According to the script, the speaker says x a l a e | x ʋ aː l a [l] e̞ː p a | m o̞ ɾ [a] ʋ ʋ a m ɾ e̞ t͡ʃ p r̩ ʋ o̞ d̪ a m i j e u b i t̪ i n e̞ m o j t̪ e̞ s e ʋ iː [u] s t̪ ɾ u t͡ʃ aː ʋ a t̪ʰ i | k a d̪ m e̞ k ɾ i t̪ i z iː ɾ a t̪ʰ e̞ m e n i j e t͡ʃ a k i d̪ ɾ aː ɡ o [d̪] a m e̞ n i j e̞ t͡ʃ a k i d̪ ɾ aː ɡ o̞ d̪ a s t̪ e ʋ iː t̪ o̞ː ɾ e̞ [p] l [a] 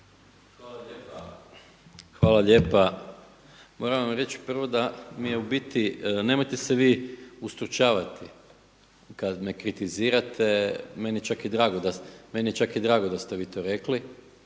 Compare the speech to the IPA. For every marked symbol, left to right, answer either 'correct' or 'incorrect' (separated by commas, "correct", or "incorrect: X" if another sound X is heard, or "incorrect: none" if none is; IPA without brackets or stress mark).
incorrect: ʎ, correct, correct, correct, incorrect: k, incorrect: i